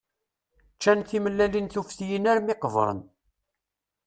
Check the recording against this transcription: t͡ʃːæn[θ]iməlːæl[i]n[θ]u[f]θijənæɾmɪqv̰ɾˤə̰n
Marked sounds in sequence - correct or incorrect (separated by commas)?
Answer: correct, correct, correct, correct